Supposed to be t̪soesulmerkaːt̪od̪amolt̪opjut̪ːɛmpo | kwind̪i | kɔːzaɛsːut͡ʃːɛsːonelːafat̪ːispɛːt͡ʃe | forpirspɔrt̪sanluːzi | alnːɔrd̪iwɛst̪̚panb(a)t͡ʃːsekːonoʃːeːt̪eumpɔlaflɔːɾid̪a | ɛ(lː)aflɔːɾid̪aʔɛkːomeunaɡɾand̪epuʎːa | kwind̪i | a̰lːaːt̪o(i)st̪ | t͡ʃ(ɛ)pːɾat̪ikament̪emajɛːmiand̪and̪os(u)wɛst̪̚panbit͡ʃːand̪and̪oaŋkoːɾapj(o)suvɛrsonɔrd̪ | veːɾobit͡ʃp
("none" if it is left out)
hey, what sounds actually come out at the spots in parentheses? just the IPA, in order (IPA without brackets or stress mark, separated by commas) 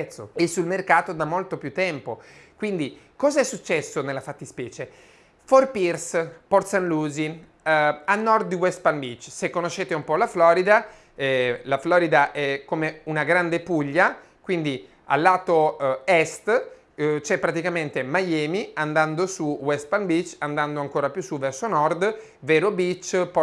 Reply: i, l, ɛ, ɛ, u, u